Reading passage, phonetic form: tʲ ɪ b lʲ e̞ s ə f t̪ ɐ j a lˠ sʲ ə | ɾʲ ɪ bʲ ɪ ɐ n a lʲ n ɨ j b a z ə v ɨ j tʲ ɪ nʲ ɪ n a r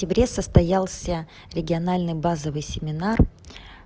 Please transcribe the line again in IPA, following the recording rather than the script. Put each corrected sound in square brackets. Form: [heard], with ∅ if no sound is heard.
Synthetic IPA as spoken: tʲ ɪ b [ɾʲ] e̞ s ə [s] t̪ ɐ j a lˠ sʲ ə | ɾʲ ɪ [ɡʲ] ɪ ɐ n a lʲ n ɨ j b a z ə v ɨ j [sʲ] ɪ [mʲ] ɪ n a r